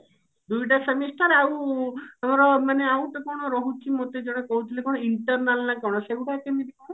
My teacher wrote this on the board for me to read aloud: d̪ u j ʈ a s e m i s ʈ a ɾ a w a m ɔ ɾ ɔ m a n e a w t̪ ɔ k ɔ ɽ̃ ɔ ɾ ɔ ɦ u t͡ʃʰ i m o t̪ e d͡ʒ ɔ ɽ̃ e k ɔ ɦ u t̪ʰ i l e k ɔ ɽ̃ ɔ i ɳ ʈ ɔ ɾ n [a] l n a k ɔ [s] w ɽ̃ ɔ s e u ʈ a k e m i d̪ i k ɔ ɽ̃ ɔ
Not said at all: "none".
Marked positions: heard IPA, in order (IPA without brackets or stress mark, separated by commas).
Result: a, none